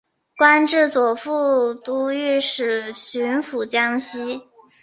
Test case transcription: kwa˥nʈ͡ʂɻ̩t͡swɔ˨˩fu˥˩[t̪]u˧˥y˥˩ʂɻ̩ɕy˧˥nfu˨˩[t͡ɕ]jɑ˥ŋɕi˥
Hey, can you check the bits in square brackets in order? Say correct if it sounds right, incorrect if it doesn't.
correct, correct

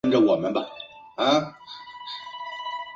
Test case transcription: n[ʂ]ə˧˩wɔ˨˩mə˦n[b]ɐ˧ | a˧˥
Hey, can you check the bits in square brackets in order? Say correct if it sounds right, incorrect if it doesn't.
incorrect: ʈ͡ʂ, correct

